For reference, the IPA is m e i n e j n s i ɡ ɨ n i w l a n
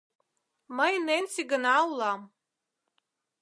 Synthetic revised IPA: m a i n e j n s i ɡ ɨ n a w l a m